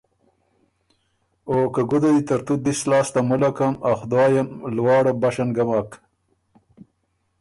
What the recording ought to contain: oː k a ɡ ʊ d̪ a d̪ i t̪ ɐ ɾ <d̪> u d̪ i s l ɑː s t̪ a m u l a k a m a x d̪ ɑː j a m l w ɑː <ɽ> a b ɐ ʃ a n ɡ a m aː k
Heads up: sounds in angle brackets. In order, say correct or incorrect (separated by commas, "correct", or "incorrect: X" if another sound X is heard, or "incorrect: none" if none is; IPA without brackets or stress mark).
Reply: incorrect: t̪, correct